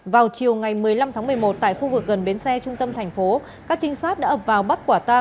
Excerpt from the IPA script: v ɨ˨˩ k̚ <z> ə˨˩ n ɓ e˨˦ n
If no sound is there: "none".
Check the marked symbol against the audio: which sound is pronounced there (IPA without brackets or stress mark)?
ɣ